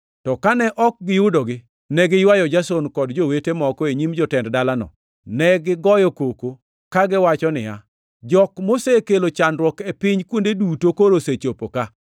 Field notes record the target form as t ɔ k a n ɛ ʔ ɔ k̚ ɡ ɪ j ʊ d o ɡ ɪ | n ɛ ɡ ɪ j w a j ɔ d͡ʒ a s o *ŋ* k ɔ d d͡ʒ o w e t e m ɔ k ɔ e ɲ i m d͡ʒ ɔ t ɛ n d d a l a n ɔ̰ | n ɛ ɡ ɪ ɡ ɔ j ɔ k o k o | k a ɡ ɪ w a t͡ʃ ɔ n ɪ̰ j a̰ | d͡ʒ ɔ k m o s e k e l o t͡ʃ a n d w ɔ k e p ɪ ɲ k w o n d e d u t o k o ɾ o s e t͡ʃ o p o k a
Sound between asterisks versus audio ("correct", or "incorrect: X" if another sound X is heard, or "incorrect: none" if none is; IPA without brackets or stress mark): incorrect: n